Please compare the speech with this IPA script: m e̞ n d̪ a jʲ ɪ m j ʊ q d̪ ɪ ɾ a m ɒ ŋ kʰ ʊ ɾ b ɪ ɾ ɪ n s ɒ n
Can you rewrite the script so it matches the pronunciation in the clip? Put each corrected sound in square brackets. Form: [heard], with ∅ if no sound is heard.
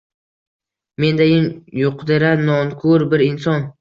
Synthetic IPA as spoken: m e̞ n d̪ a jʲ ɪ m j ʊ q d̪ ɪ ɾ a [n] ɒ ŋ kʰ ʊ ɾ b ɪ ɾ ɪ n s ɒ n